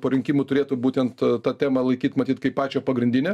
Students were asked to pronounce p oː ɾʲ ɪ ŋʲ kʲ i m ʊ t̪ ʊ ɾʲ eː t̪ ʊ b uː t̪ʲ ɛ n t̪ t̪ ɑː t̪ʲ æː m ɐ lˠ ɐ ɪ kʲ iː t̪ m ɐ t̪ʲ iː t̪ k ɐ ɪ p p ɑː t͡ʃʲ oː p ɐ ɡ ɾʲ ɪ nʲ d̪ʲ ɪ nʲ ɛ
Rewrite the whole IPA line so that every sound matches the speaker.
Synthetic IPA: p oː ɾʲ ɪ ŋʲ kʲ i m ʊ t̪ ʊ ɾʲ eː t̪ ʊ b uː t̪ʲ ɛ n t̪ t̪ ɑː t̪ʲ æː m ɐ lˠ ɐ ɪ kʲ iː t̪ m ɐ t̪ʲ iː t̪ k ɐ ɪ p p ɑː t͡ʃʲ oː p ɐ ɡ ɾʲ ɪ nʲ d̪ʲ ɪ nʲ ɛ